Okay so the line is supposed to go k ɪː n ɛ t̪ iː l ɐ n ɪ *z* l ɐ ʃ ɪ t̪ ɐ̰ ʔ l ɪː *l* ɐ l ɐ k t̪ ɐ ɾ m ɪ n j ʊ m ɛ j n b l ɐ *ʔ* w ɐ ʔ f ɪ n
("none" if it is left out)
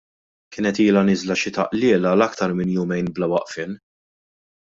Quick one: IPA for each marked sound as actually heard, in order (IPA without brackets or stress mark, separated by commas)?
z, l, none